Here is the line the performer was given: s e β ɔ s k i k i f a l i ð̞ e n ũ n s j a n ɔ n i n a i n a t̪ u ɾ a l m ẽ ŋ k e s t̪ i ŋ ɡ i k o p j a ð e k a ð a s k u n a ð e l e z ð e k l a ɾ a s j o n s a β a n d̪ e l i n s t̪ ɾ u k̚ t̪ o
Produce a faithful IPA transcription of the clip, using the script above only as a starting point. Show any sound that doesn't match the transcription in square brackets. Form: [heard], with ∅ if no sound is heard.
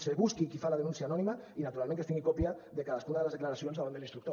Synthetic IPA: s e β [u] s k i k i f a l [a] ð̞ e n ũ n s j a n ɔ n i [m] a i n a t̪ u ɾ a l m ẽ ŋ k e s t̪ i ŋ ɡ i k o p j a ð e k a ð a s k u n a ð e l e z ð e k l a ɾ a s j o n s a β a n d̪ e l i n s t̪ ɾ u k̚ t̪ o

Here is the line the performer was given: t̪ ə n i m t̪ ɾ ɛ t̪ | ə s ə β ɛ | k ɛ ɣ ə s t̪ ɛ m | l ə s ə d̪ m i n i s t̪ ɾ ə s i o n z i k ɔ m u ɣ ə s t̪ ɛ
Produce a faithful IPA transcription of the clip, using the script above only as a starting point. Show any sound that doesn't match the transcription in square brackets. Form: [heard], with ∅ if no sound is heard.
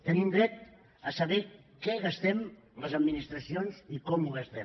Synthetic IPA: t̪ ə n i m [d̪] ɾ ɛ t̪ | ə s ə β ɛ | k ɛ ɣ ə s t̪ ɛ m | l ə [z] ə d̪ m i n i s t̪ ɾ ə s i o n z i k ɔ m u ɣ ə s t̪ ɛ

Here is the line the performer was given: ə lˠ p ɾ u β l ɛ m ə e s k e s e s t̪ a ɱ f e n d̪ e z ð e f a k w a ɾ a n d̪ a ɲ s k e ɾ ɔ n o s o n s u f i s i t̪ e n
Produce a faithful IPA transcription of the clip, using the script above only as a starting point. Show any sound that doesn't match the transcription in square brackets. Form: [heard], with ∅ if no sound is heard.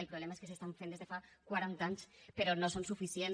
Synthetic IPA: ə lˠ p ɾ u β l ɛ m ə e s k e s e s t̪ a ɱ f e n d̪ e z ð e f a k w a ɾ a n [t̪] a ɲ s [p] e ɾ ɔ n o s o n s u f i s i [∅] e n

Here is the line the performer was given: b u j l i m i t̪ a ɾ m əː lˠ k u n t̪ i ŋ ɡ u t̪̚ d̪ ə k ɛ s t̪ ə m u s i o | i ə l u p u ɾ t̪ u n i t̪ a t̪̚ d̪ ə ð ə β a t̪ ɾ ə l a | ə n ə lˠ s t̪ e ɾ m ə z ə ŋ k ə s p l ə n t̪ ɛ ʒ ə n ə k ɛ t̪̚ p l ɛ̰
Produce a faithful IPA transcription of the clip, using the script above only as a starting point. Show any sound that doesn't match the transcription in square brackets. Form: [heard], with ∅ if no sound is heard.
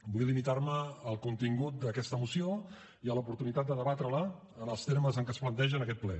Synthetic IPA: b u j l i m i t̪ a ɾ m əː lˠ k u n t̪ i ŋ ɡ u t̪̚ d̪ ə k ɛ s t̪ ə m u s i o | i ə l u p u ɾ t̪ u n i t̪ a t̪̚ d̪ ə ð ə β a t̪ ɾ ə l a | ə n ə lˠ s t̪ e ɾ m ə z ə ŋ k ə s p l ə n t̪ ɛ ʒ ə n ə k ɛ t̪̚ p l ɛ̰

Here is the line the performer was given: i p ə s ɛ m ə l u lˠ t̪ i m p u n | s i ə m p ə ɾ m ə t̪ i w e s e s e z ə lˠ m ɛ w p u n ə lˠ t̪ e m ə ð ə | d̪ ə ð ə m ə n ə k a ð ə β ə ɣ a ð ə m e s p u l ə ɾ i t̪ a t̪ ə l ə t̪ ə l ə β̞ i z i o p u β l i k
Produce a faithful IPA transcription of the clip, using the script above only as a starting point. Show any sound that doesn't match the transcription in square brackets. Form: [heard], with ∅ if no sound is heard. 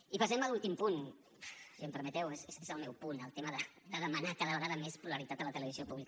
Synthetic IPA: i p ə s ɛ m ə l u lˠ t̪ i m p u n | s i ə m p ə ɾ m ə t̪ [ɛ] w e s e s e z ə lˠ m ɛ w p u n ə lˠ t̪ e m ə ð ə | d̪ ə ð ə m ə n [a] k a ð ə β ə ɣ a ð ə m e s p u l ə ɾ i t̪ a t̪ ə l ə t̪ ə l ə β̞ i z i o p u β l i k

